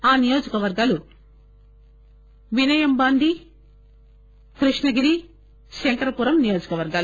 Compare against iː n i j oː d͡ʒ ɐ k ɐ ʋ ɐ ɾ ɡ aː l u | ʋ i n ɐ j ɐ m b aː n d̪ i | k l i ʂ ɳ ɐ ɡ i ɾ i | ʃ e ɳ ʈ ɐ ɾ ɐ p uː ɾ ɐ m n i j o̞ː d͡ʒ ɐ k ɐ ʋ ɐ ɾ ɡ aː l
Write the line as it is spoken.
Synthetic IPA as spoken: aː n i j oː d͡ʒ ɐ k ɐ ʋ ɐ ɾ ɡ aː l u | ʋ i n ɐ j ɐ m b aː n d̪ i | k ɾ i ʂ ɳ ɐ ɡ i ɾ i | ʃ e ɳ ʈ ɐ ɾ ɐ p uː ɾ ɐ m n i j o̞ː d͡ʒ ɐ k ɐ ʋ ɐ ɾ ɡ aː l

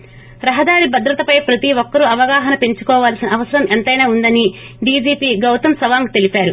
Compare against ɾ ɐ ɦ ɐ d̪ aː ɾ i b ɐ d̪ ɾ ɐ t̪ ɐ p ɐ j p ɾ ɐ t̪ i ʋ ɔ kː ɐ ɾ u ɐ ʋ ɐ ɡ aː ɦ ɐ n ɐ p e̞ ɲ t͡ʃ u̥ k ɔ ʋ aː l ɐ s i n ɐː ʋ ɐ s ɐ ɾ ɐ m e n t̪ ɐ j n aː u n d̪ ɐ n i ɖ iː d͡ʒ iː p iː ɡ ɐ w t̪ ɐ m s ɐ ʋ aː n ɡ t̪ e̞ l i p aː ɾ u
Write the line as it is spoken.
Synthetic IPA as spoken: ɾ ɐ ɦ ɐ d̪ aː ɾ i b ɐ d̪ ɾ ɐ t̪ ɐ p ɐ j p ɾ ɐ t̪ i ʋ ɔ kː ɐ ɾ u ɐ ʋ ɐ ɡ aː ɦ ɐ n ɐ p e̞ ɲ t͡ʃ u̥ k ɔː ʋ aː l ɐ s i n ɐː ʋ ɐ s ɐ ɾ ɐ m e n t̪ ɐ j n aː u n d̪ ɐ n i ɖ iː d͡ʒ iː p iː ɡ ɐ w t̪ ɐ m s ɐ ʋ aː ŋ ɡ t̪ e̞ l i p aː ɾ u

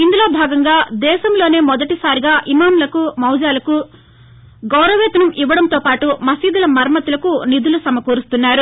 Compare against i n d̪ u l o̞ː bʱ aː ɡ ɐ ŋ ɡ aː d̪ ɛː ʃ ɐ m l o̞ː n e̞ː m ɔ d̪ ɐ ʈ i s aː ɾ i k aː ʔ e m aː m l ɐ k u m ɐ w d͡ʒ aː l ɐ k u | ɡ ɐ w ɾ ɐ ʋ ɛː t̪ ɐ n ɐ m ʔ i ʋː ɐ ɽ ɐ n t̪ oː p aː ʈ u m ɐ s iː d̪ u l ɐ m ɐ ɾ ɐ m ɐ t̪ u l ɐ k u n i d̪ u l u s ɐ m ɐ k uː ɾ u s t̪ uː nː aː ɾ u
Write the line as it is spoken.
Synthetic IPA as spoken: i n d̪ u l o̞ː bʱ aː ɡ ɐ ŋ ɡ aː d̪ ɛː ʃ ɐ m l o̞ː n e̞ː m ɔ d̪ ɐ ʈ i s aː ɾ i ɡ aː ʔ i m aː m l ɐ k u m ɐ w d͡ʒ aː l ɐ k u | ɡ ɐ w ɾ ɐ ʋ ɛː t̪ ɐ n ɐ m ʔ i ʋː ɐ ɽ ɐ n t̪ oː p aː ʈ u m ɐ s iː d̪ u l ɐ m ɐ ɾ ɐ m ɐ t̪ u l ɐ k u n i d̪ u l u s ɐ m ɐ k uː ɾ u s t̪ u nː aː ɾ u

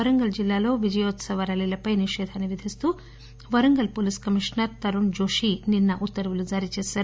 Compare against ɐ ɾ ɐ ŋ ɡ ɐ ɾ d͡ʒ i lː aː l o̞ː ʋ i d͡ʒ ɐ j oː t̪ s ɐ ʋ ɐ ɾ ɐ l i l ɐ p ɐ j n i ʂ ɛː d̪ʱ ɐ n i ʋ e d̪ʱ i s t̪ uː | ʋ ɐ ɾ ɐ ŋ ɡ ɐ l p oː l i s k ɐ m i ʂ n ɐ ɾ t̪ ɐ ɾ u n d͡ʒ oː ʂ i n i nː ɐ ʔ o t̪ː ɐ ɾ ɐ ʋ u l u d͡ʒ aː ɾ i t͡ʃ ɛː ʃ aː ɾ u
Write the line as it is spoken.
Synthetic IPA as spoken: ɐ ɾ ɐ ŋ ɡ ɐ l d͡ʒ i lː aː l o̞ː ʋ i d͡ʒ ɐ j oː t̪ s ɐ ʋ ɐ ɾ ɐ l i l ɐ p ɐ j n i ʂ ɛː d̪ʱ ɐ n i ʋ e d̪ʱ i s t̪ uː | ʋ ɐ ɾ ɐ ŋ ɡ ɐ l p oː l i s k ɐ m i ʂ n ɐ ɾ t̪ ɐ ɾ u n d͡ʒ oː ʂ i n i nː ɐ ʔ u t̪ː ɐ ɾ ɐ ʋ u l u d͡ʒ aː ɾ i t͡ʃ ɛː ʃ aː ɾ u

